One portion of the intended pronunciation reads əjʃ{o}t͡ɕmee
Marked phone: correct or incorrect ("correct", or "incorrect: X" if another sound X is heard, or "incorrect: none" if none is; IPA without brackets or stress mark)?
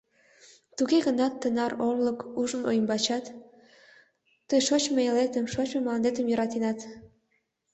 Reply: correct